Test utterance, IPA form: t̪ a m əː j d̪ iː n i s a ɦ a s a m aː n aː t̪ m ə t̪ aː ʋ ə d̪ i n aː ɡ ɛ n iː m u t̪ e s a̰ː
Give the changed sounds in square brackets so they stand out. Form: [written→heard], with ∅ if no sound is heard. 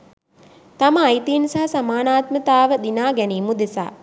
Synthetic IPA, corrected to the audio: t̪ a m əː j [d̪→t̪] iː n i s a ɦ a s a m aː n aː t̪ m ə t̪ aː ʋ ə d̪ i n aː ɡ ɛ n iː m u [t̪→d̪] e s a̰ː